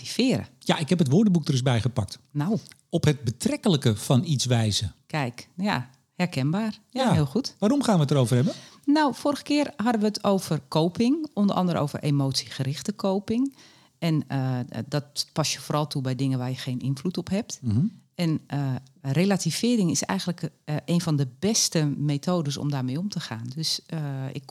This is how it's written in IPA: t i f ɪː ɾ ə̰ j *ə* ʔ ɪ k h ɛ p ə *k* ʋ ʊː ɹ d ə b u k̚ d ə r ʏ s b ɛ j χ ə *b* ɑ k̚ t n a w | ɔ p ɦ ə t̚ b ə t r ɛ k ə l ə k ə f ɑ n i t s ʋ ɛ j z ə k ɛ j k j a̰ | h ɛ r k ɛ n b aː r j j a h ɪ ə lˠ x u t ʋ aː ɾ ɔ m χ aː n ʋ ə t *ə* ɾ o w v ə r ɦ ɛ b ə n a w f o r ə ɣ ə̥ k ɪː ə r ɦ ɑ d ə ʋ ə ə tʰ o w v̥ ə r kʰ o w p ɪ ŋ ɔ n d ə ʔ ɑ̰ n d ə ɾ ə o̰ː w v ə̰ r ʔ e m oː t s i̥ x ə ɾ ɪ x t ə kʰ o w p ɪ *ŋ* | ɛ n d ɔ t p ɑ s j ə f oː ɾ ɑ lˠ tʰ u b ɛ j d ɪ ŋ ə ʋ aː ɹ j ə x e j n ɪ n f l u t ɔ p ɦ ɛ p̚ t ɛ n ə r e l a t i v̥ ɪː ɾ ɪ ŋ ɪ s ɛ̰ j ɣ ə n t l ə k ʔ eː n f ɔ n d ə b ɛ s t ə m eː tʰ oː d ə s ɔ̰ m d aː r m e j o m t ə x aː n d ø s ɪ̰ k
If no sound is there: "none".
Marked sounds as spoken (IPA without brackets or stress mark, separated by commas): a, t, p, ə, ŋ